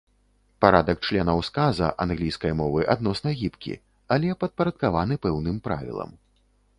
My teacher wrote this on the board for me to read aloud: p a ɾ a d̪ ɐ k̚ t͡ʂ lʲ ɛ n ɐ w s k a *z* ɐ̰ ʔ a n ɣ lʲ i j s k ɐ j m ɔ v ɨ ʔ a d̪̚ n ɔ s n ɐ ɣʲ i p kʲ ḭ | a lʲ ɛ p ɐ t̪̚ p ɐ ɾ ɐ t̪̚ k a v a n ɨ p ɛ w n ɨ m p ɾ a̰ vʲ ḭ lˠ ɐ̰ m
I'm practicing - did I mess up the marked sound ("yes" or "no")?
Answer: no